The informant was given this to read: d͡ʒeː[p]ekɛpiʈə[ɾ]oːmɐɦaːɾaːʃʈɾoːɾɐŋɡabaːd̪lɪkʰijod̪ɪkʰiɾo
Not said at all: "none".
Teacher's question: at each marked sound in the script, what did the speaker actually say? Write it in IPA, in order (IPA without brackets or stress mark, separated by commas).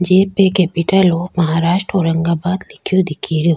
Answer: p, l